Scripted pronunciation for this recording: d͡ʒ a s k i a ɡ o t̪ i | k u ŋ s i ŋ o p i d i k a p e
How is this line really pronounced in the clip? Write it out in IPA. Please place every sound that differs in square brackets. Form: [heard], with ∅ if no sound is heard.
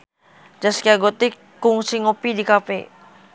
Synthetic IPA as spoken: d͡ʒ a s k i a ɡ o t̪ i | k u ŋ s i ŋ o p i d i k a p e